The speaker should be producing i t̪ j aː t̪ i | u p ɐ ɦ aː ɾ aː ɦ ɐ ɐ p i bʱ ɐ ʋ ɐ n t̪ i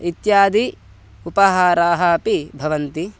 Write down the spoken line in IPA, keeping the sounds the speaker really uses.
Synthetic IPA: i t̪ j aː d̪ i | u p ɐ ɦ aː ɾ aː ɦ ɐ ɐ p i bʱ ɐ ʋ ɐ n t̪ i